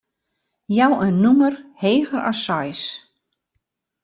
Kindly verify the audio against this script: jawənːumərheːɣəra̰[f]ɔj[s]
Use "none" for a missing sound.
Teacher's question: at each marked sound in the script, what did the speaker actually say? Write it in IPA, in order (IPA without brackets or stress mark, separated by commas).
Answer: s, s